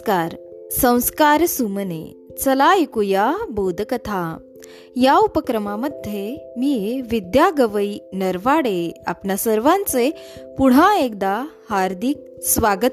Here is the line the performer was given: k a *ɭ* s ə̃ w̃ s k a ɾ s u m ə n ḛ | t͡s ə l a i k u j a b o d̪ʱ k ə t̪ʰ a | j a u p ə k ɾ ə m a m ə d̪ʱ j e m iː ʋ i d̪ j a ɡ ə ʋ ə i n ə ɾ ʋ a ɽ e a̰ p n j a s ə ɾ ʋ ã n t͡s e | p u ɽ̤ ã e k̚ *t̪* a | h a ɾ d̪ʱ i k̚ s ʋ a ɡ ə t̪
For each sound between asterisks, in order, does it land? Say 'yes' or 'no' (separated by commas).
no, no